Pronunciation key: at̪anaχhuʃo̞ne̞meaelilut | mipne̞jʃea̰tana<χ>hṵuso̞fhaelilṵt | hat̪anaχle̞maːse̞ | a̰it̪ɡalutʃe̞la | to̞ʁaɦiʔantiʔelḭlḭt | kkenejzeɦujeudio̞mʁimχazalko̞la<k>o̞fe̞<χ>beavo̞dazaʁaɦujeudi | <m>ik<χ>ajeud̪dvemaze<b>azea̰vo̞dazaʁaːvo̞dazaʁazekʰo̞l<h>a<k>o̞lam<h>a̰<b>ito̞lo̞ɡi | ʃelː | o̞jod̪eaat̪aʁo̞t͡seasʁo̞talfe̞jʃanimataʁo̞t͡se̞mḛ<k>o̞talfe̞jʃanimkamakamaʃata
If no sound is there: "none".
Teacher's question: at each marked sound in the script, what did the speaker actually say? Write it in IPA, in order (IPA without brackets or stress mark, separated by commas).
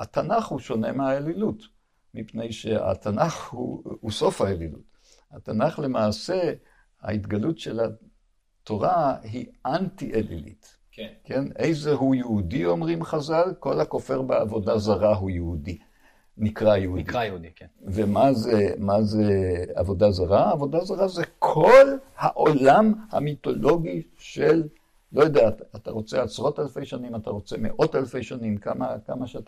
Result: χ, k, ʁ, n, ʁ, m, h, ʔ, h, m, ʔ